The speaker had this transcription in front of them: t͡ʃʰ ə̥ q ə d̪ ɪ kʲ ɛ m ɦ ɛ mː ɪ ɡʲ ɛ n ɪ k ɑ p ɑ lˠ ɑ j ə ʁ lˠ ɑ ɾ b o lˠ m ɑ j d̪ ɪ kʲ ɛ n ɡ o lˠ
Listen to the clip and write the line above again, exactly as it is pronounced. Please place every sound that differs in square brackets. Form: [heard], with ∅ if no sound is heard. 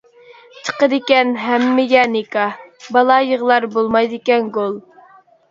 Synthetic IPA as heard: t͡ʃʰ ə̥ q ə d̪ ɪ kʲ ɛ [n] ɦ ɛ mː ɪ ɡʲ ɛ n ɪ k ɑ [b] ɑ lˠ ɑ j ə ʁ lˠ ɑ ɾ b o lˠ m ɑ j d̪ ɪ kʲ ɛ n ɡ o lˠ